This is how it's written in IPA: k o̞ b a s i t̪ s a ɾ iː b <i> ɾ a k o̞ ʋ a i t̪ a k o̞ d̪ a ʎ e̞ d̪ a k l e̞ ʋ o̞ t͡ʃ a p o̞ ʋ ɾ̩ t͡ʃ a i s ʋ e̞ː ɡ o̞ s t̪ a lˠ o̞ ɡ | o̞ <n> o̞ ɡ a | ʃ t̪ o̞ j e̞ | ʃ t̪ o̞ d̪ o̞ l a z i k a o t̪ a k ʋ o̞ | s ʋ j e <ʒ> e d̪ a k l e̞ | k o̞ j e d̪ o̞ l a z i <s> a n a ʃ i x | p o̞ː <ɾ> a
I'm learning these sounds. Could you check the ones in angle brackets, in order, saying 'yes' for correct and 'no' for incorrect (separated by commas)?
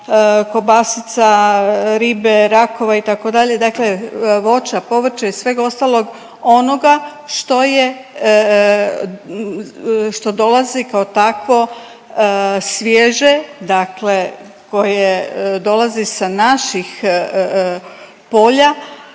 no, yes, yes, yes, no